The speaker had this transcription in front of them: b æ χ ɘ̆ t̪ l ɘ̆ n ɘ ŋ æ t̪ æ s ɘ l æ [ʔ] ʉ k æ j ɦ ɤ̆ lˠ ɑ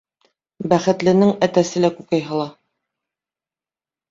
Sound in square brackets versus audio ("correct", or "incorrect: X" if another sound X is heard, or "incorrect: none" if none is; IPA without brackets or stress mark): incorrect: k